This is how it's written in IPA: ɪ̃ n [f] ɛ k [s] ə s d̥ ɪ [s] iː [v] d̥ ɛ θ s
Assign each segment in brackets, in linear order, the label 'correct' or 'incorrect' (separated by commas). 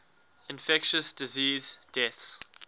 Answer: correct, incorrect, incorrect, incorrect